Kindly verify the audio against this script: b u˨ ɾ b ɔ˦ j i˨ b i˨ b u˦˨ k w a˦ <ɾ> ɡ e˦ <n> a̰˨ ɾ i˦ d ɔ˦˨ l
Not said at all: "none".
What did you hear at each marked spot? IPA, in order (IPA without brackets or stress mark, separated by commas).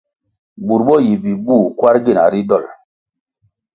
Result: ɾ, n